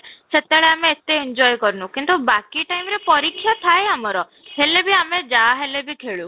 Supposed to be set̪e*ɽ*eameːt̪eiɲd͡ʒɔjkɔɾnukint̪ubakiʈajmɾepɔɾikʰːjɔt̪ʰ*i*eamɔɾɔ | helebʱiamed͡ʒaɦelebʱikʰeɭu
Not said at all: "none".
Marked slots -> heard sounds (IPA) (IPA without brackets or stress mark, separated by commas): ɭ, a